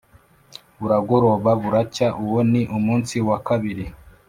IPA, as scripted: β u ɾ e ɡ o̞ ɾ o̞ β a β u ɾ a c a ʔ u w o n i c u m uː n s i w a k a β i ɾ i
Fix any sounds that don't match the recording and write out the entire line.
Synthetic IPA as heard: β u ɾ a ɡ o̞ ɾ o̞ β a β u ɾ a c a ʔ u w o n i ʔ u m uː n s i w a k a β i ɾ i